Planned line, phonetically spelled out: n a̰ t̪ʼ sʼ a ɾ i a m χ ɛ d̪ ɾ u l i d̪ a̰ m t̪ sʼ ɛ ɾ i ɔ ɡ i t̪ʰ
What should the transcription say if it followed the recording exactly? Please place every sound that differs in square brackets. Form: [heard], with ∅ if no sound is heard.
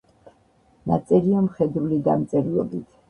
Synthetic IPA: n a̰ [t̪] sʼ [ɛ] ɾ i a m χ ɛ d̪ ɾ u l i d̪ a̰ m t̪ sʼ ɛ ɾ i ɔ [b] i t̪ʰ